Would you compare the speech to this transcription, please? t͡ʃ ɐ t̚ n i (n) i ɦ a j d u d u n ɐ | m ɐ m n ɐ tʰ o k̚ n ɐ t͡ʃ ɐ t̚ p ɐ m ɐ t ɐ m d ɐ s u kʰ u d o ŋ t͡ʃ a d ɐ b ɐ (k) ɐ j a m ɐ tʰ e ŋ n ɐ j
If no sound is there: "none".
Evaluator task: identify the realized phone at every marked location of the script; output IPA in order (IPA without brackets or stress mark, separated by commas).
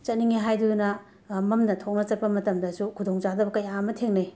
ŋ, k